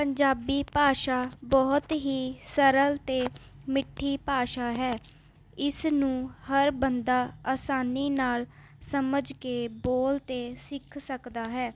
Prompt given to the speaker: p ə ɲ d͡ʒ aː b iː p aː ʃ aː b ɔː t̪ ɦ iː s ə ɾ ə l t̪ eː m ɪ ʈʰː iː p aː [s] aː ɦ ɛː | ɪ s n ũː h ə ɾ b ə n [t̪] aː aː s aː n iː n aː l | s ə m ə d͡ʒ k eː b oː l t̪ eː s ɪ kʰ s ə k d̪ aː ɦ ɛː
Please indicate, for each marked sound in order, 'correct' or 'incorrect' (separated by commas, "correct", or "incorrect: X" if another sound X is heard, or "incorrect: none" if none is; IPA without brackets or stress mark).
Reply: incorrect: ʃ, incorrect: d̪